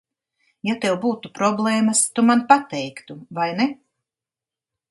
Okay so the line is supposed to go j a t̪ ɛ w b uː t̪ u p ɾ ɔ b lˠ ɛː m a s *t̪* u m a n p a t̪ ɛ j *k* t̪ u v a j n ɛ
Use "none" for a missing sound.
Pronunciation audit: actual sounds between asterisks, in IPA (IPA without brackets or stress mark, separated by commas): t̪, k